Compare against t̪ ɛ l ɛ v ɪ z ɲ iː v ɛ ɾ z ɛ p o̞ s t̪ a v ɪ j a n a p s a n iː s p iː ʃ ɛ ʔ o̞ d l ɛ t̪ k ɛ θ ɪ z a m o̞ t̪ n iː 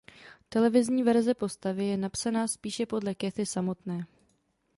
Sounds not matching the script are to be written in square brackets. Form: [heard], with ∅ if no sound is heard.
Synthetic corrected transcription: t̪ ɛ l ɛ v ɪ z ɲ iː v ɛ ɾ z ɛ p o̞ s t̪ a v ɪ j [ɛ] n a p s a n [aː] s p iː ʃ ɛ [p] o̞ d l ɛ [∅] k ɛ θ ɪ [s] a m o̞ t̪ n [ɛː]